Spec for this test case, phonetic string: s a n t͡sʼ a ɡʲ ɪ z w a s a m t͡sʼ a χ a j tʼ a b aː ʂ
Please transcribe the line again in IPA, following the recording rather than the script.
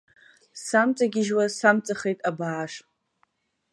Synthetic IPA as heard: s a m t͡sʼ a ɡʲ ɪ ʒ w a s a m t͡sʼ a χ e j tʼ a b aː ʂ